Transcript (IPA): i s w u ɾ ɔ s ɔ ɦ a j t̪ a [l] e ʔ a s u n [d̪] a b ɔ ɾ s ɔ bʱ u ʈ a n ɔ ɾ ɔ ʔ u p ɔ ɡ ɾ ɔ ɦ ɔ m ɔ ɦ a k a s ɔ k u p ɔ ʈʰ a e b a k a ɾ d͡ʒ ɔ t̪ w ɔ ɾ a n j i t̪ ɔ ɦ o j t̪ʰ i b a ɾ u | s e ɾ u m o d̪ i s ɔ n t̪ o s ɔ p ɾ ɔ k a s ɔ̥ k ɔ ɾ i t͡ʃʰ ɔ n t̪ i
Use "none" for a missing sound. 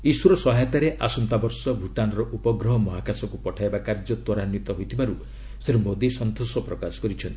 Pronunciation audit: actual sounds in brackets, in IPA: ɾ, t̪

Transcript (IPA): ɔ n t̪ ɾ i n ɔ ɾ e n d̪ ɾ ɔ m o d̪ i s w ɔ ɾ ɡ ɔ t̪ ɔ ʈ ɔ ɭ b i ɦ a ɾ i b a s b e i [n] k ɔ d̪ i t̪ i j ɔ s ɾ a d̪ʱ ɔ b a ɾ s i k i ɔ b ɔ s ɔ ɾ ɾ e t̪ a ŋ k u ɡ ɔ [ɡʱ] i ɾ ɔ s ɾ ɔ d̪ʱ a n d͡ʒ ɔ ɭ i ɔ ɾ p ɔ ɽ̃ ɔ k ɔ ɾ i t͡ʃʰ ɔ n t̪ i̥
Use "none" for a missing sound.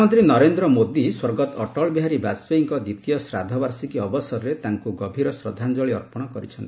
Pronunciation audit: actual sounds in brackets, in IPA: ŋ, bʱ

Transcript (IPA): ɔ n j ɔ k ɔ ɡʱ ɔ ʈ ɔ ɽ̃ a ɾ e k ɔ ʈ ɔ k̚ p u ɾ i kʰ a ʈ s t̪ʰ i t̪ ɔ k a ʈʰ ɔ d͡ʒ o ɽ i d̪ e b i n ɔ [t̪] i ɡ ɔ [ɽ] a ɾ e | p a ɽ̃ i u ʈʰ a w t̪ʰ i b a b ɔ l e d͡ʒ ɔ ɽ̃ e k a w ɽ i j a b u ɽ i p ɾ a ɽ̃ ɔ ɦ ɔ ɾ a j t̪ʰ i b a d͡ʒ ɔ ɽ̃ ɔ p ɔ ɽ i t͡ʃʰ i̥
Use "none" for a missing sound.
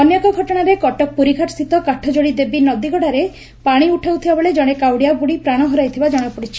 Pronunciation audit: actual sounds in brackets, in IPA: d̪, ɽ

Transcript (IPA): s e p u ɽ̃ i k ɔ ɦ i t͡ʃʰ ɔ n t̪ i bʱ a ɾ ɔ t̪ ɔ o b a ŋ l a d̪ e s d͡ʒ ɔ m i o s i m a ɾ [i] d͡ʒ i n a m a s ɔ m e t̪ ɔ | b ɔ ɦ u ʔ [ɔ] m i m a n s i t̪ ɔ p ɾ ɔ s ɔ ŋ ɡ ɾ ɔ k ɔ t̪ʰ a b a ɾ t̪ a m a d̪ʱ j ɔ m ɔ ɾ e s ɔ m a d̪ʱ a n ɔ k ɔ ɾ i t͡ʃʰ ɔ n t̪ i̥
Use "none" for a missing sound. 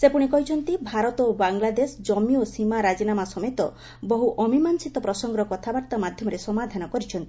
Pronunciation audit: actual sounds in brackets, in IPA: a, ɔ

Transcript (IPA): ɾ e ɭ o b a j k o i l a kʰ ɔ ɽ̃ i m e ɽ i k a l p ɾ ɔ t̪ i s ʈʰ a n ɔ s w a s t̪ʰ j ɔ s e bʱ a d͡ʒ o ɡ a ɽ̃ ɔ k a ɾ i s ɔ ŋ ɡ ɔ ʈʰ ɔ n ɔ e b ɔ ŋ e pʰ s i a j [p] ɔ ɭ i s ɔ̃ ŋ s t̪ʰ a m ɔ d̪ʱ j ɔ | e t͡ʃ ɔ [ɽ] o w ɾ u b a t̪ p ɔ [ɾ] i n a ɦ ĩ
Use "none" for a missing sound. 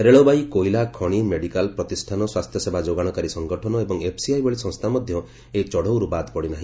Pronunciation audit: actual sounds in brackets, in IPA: b, ɽ, ɽ

